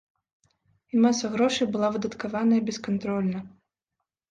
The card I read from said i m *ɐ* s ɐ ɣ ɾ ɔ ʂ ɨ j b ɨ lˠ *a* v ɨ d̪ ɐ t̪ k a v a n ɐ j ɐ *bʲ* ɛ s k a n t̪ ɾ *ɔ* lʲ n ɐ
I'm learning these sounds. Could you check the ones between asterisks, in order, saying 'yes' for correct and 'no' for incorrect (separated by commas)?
no, yes, yes, yes